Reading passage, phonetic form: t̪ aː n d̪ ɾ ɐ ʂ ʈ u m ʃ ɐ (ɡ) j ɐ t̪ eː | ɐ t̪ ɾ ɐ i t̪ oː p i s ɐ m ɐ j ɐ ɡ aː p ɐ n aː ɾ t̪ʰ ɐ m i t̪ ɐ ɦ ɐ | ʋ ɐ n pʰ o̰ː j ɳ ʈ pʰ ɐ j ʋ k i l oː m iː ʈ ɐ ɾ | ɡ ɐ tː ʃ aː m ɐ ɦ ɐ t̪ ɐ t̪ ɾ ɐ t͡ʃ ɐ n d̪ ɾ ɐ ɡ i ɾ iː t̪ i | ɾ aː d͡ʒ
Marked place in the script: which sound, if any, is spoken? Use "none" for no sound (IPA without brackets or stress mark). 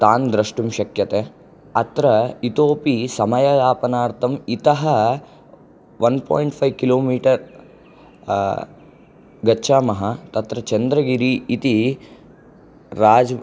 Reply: k